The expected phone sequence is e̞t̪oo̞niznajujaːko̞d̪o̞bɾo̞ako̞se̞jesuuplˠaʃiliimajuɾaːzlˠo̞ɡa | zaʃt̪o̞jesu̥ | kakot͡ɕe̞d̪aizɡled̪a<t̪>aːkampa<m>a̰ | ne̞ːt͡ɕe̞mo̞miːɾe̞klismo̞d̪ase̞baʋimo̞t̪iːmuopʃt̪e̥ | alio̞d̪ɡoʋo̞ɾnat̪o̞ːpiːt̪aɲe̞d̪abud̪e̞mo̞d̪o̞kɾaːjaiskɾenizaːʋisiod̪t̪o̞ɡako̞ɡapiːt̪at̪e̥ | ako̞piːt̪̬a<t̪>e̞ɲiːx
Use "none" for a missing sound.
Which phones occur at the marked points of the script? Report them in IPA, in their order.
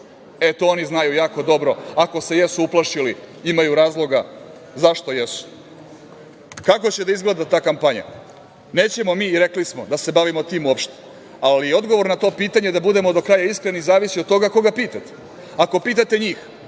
t̪, ɲ, t̪

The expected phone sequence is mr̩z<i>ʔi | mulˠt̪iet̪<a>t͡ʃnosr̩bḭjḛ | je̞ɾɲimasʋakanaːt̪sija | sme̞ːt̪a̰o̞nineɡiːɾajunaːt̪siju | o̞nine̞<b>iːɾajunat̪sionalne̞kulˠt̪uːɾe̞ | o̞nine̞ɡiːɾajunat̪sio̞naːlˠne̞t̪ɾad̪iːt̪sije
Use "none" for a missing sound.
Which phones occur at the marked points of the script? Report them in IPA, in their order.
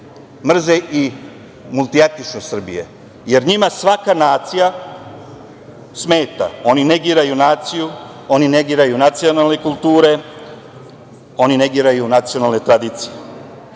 e, i, ɡ

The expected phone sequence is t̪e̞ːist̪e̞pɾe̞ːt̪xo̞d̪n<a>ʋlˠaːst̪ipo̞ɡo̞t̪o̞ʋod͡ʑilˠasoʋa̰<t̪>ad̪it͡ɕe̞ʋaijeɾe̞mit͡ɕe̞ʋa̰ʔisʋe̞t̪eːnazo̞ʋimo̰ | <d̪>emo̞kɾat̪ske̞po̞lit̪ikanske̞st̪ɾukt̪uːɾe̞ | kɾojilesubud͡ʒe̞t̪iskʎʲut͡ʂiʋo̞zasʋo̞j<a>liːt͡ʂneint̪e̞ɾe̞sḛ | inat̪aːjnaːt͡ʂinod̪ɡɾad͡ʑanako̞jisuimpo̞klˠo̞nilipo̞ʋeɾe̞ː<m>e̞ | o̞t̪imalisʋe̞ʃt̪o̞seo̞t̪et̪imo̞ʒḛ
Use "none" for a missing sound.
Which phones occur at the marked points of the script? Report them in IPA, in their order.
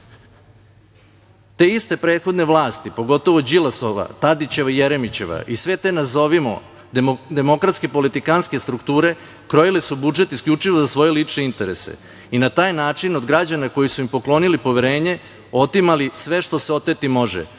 e, t̪, d̪, e, ɲ

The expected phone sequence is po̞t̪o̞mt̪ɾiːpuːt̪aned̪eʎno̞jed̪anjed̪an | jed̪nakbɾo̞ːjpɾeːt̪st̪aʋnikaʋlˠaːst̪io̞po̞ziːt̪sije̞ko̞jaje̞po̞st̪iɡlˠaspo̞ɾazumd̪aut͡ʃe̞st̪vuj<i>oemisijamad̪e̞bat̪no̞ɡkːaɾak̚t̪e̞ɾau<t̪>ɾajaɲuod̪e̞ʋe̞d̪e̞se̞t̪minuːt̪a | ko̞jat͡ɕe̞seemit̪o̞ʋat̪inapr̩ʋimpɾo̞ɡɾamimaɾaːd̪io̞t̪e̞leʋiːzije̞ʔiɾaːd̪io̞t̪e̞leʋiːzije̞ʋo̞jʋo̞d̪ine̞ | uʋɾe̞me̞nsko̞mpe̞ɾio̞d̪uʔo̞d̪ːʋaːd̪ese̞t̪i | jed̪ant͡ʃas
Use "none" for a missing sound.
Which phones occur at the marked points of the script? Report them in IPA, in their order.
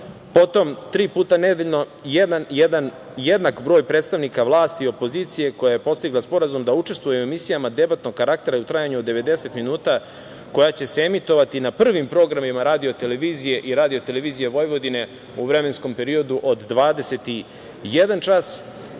e, t̪

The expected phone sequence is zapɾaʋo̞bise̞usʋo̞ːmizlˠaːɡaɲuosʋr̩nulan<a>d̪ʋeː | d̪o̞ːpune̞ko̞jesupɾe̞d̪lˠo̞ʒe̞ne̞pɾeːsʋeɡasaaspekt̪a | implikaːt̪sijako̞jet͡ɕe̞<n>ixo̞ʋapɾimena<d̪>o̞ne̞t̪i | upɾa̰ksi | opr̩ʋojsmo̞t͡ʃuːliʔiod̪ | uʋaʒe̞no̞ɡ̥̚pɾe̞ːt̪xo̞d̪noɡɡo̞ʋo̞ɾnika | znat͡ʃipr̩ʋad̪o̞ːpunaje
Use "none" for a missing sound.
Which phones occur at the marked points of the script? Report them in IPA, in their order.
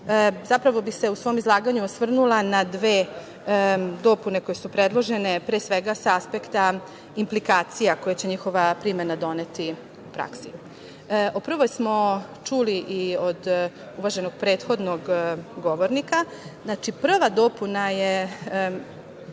a, ɲ, d̪

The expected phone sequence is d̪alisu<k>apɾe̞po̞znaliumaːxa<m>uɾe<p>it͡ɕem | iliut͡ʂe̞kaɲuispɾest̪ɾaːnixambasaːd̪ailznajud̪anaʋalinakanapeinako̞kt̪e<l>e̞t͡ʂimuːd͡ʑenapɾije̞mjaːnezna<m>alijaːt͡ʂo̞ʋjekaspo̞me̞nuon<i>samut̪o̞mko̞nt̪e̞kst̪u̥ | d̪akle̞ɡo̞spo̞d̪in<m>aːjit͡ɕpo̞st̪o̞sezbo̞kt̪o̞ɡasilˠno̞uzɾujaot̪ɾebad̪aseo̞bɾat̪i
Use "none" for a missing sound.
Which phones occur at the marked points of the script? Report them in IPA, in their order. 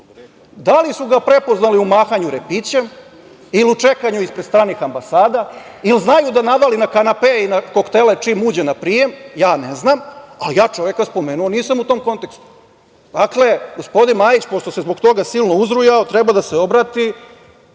ɡ, ɲ, p, l, m, iː, m

